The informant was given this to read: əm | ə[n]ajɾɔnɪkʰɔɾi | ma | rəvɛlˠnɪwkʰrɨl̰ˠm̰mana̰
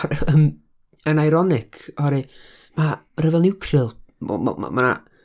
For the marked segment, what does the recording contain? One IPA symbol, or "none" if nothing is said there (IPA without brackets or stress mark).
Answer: n